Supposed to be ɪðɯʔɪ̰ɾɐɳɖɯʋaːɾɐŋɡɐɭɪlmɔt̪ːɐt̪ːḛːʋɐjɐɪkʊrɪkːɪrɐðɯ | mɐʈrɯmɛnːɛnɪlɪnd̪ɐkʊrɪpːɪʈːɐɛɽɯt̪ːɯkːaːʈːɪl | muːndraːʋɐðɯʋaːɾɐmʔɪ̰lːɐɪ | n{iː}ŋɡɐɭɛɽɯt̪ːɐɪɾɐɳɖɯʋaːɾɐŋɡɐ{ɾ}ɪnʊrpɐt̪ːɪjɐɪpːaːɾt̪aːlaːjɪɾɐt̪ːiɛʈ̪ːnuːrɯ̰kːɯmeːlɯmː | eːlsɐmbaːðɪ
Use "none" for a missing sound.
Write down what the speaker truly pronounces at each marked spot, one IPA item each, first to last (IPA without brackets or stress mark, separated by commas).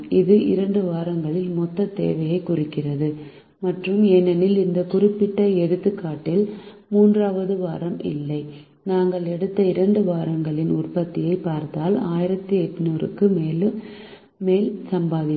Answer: aː, ɭ